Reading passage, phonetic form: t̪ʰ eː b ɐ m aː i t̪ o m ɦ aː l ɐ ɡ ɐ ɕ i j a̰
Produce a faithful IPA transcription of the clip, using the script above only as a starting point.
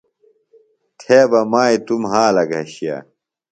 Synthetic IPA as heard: t̪ʰ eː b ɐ m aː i t̪ u m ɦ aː l ɐ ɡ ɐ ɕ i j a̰